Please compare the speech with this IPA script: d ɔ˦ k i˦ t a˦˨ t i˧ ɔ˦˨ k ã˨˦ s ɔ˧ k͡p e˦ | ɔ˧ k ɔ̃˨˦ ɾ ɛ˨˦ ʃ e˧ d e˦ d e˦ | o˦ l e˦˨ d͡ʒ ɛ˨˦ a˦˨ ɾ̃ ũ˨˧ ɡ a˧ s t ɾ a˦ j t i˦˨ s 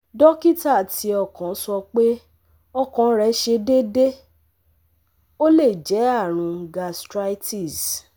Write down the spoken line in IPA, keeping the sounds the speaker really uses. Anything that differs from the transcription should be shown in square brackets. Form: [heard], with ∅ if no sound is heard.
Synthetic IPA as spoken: d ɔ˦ k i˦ t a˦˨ t i˧ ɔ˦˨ k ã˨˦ s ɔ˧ k͡p e˦ | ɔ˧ k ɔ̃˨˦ ɾ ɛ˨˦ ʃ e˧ d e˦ d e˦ | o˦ l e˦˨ d͡ʒ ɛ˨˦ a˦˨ ɾ̃ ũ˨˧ ɡ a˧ s t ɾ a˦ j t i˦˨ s